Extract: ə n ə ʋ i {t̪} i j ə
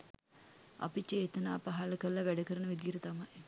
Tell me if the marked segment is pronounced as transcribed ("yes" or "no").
no